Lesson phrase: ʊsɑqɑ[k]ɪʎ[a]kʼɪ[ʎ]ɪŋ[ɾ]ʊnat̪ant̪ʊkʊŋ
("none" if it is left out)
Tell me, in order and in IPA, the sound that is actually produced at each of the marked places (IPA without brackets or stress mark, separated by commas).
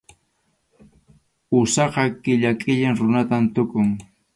k, a, ʎ, ɾ